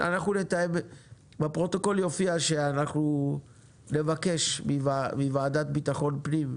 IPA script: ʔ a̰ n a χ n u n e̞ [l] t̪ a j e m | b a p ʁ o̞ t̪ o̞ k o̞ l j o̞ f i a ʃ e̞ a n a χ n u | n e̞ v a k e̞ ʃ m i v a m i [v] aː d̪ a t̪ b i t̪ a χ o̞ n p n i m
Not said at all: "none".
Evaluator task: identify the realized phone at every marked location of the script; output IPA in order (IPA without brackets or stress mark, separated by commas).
none, v